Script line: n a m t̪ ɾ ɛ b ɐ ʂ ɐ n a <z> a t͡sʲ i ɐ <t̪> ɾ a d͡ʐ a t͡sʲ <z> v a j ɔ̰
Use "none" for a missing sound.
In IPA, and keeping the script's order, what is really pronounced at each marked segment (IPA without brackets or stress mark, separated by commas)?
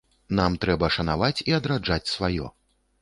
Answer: v, d̪, s